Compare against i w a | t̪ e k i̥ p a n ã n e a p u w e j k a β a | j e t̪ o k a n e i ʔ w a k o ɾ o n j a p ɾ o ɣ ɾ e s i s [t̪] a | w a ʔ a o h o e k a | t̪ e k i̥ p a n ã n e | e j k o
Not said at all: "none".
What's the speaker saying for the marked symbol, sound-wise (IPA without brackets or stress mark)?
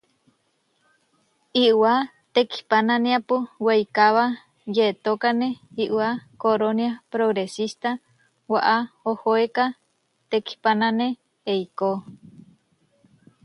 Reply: t̪